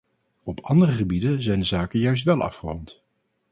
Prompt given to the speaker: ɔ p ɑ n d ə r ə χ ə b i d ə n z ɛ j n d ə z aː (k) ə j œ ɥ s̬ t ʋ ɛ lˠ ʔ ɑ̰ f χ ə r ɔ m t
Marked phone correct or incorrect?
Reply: correct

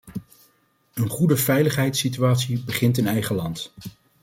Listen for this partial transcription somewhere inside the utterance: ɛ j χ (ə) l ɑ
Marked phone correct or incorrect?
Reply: correct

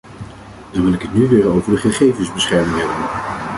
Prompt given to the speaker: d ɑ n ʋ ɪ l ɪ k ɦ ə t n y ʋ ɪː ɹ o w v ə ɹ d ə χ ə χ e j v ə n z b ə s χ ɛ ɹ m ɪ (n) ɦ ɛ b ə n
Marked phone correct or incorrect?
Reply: incorrect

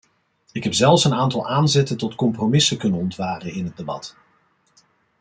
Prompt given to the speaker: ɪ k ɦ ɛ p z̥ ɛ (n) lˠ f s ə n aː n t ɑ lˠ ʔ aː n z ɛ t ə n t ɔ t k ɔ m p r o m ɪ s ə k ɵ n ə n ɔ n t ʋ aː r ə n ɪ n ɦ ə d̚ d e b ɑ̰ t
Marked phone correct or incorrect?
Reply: incorrect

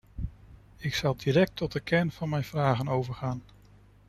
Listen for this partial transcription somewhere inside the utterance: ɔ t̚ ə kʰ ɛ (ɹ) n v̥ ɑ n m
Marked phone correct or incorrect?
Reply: correct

